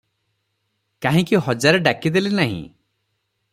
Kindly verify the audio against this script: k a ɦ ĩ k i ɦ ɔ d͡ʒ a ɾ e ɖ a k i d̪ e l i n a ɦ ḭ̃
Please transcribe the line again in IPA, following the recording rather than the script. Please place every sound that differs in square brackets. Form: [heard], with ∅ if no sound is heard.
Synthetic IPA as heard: k a ɦ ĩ k i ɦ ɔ d͡ʒ a ɾ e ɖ a k i d̪ e l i n a ɦ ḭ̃